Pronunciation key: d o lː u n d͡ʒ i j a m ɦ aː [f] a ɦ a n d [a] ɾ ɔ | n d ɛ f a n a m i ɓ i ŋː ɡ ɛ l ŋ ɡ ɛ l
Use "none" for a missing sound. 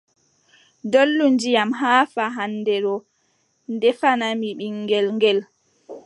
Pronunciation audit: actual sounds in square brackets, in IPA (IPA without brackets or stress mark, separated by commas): f, ɛ